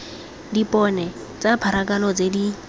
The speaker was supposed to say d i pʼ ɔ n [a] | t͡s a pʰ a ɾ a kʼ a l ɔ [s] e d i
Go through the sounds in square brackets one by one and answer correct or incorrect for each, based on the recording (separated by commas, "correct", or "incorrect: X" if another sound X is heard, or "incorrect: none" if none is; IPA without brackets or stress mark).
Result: incorrect: ɛ, incorrect: t͡s